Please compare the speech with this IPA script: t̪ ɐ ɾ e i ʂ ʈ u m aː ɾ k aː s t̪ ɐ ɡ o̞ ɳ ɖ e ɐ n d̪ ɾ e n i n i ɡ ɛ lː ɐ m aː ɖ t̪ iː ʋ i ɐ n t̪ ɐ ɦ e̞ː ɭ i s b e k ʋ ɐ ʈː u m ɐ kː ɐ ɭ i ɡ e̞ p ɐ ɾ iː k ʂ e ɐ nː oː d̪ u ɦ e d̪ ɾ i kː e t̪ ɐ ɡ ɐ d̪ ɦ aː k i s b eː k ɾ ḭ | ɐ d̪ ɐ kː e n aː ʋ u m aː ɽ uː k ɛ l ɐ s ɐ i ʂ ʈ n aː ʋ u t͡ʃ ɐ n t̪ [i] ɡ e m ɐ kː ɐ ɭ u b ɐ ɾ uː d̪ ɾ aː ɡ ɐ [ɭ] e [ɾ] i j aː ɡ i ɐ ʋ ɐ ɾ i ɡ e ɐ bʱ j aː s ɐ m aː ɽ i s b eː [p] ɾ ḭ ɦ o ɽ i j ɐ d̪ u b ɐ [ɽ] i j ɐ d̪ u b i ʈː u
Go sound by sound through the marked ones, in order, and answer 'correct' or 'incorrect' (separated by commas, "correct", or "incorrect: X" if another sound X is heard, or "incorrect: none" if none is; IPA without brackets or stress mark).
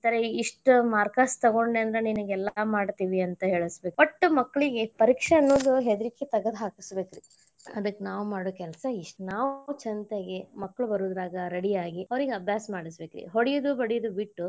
incorrect: e, incorrect: ɾ, incorrect: ɽ, incorrect: k, correct